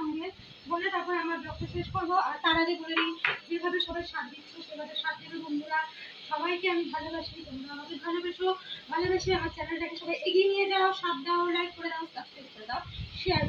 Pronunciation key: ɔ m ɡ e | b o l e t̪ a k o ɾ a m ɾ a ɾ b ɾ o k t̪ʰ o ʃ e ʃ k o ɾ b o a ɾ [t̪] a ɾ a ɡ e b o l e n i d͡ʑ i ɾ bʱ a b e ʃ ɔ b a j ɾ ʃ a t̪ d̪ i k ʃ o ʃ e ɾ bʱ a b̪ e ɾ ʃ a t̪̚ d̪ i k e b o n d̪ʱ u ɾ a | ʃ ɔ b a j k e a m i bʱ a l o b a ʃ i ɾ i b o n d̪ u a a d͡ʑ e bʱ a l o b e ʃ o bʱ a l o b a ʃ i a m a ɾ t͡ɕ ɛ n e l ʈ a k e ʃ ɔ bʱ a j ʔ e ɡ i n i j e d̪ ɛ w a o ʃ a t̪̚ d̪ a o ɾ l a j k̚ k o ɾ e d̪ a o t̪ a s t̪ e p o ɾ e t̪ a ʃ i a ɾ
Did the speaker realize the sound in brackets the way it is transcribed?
yes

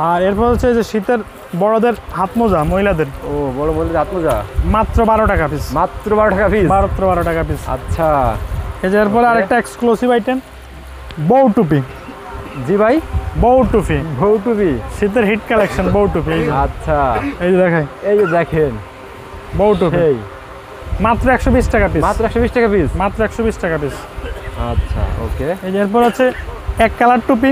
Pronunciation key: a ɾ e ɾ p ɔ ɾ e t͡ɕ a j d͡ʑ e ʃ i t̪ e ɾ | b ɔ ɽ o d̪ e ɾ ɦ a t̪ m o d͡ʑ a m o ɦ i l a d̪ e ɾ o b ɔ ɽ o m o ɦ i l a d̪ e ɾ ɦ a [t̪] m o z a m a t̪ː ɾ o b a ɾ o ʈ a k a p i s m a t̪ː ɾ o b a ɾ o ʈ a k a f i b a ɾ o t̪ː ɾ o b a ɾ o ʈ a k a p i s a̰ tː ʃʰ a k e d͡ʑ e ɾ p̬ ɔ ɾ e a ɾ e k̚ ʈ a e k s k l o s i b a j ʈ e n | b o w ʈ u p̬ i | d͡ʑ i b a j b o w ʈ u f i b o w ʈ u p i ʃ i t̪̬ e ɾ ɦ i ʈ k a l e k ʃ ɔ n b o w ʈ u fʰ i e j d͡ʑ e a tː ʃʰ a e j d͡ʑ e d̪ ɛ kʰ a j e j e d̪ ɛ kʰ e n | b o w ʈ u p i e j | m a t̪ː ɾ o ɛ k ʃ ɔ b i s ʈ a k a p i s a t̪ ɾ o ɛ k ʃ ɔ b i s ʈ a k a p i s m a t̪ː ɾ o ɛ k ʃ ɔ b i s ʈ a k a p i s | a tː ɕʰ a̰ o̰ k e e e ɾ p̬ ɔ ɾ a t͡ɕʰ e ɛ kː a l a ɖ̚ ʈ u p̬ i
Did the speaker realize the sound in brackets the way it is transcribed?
yes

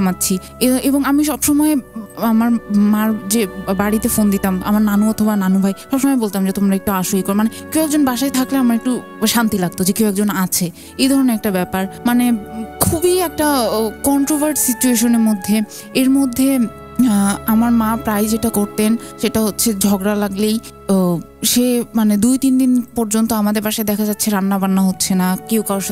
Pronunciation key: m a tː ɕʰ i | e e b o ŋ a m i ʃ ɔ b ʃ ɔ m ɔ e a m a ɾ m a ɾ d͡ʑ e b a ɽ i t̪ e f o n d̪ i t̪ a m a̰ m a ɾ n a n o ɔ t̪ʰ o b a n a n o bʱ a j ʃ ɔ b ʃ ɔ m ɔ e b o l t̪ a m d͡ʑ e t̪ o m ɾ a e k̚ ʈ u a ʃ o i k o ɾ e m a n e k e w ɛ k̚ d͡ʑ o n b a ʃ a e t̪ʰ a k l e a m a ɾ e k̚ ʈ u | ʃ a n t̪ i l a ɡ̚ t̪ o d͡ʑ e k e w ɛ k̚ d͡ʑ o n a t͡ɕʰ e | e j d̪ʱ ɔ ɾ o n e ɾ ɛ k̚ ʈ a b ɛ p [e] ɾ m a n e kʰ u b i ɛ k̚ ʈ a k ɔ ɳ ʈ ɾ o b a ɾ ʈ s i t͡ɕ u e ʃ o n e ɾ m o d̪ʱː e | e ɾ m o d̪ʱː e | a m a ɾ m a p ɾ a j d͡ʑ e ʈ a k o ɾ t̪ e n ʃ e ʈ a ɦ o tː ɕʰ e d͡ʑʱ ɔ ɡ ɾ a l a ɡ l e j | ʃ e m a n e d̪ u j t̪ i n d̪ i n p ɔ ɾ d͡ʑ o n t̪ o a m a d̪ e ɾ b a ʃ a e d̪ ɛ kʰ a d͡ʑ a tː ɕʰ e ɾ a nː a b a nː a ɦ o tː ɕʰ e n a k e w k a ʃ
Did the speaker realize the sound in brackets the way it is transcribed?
no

